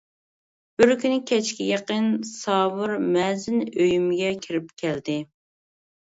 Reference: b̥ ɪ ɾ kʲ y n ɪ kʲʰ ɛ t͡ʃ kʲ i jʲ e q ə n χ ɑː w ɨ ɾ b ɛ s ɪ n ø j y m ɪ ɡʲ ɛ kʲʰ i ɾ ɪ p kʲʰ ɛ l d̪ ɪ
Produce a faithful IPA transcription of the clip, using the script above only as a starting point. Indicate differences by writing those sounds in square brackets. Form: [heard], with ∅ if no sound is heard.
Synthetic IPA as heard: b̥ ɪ ɾ kʲ y n ɪ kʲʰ ɛ t͡ʃ kʲ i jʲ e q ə n [s] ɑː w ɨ ɾ [m] ɛ [z] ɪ n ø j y m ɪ ɡʲ ɛ kʲʰ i ɾ ɪ p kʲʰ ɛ l d̪ ɪ